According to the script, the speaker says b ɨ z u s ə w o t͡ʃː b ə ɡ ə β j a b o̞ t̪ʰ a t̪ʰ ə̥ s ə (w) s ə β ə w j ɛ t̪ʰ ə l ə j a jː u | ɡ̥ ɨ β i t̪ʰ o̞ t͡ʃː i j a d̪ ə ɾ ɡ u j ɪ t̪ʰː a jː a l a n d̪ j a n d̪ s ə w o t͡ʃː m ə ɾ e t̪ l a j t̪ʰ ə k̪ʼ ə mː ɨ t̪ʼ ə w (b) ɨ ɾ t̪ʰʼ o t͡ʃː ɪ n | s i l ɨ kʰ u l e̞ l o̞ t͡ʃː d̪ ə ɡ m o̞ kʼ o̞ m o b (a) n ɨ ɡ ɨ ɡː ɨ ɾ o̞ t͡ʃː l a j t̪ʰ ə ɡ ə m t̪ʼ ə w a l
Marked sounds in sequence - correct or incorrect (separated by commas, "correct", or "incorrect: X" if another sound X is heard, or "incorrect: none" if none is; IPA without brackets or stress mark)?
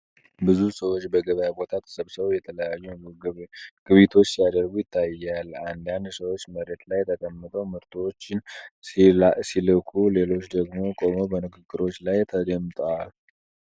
incorrect: β, incorrect: m, incorrect: ə